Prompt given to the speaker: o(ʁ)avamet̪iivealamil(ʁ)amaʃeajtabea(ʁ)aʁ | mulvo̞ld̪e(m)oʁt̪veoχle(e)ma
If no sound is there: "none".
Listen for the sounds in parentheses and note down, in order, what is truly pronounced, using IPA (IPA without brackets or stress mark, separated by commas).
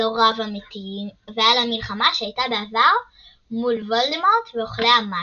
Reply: ʁ, χ, v, m, a